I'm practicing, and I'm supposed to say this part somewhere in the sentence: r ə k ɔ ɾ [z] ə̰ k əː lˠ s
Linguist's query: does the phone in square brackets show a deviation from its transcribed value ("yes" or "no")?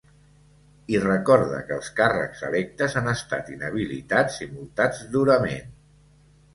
yes